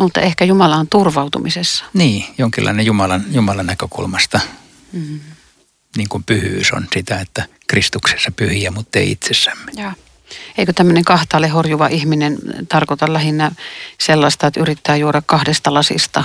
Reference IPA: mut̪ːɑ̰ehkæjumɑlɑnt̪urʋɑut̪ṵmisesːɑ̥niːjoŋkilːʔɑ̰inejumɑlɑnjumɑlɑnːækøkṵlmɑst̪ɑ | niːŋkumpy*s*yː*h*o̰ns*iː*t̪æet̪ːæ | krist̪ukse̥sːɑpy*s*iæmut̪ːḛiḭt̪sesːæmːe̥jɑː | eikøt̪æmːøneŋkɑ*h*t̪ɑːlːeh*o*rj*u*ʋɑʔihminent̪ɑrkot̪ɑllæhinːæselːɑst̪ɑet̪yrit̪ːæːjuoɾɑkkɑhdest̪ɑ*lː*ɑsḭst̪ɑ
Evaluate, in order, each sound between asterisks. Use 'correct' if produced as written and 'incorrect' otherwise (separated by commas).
incorrect, incorrect, incorrect, incorrect, correct, correct, correct, incorrect